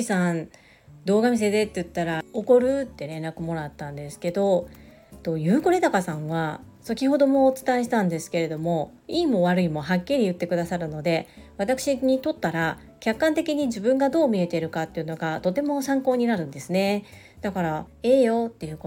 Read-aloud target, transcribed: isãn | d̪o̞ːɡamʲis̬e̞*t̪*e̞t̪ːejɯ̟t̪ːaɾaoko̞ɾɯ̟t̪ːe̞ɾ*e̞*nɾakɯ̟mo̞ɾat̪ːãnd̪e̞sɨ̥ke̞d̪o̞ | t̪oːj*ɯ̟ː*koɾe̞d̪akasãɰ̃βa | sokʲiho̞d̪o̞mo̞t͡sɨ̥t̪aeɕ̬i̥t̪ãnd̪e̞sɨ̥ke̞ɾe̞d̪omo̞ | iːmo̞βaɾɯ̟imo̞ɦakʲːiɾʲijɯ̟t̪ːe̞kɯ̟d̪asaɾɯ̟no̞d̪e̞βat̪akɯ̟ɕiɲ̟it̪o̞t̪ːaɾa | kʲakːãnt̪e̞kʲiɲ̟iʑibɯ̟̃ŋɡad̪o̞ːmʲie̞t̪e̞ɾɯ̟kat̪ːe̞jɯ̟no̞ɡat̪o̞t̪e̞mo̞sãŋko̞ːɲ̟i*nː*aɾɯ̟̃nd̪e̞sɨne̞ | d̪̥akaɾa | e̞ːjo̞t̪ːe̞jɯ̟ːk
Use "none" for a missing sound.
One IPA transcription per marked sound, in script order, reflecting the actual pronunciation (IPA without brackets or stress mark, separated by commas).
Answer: d̪, ẽ̞, ɯ̟ː, n